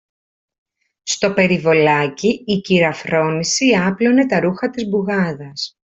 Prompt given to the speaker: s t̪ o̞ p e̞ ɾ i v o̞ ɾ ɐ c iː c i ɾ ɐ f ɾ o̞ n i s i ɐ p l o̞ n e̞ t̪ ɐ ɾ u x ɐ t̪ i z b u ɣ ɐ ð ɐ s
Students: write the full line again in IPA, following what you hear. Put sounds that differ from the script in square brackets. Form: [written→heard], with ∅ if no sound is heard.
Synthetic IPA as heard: s t̪ o̞ p e̞ ɾ i v o̞ [ɾ→l] ɐ c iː c i ɾ ɐ f ɾ o̞ n i s i ɐ p l o̞ n e̞ t̪ ɐ ɾ u x ɐ t̪ i z b u ɣ ɐ ð ɐ s